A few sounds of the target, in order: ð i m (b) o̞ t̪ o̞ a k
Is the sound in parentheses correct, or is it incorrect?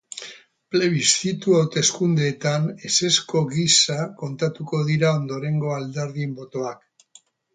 correct